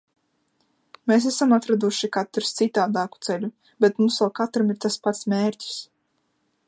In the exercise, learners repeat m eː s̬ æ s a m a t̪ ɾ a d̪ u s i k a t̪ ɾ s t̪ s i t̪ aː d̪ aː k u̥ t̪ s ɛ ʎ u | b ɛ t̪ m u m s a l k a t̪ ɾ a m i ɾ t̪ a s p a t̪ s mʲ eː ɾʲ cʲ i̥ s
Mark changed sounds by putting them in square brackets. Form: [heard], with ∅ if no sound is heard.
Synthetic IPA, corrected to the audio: m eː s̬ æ s a m a t̪ ɾ a d̪ u [ʃ] i k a t̪ ɾ s t̪ s i t̪ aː d̪ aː k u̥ t̪ s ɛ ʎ u | b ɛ t̪ m u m s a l k a t̪ ɾ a m i ɾ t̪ a s p a t̪ s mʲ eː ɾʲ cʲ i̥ s